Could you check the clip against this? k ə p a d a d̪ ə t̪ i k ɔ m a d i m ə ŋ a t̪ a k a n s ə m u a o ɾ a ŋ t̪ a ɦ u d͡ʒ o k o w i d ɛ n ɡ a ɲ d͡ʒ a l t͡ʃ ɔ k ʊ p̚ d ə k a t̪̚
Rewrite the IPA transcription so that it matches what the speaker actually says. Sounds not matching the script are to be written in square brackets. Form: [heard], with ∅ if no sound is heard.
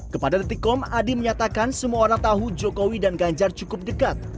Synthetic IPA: k ə p a d a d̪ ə t̪ i k ɔ m a d i m ə [ɲ] a t̪ a k a n s ə m u a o ɾ a ŋ t̪ a ɦ u d͡ʒ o k o w i d [a] n ɡ a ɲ d͡ʒ a [r] t͡ʃ [u] k ʊ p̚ d ə k a t̪̚